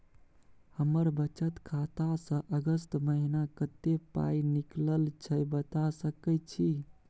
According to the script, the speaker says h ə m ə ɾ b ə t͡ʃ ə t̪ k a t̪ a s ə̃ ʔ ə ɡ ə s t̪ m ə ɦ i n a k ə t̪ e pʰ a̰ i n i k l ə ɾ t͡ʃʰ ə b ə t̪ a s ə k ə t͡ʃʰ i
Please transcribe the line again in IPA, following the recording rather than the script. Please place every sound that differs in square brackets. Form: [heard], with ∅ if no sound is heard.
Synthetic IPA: h ə m ə ɾ b ə t͡ʃ ə t̪ [kʰ] a t̪ a s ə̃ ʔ ə ɡ ə s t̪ m ə ɦ i n a k ə t̪ e [p] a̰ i n i k l ə [l] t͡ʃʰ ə b ə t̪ a s ə k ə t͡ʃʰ i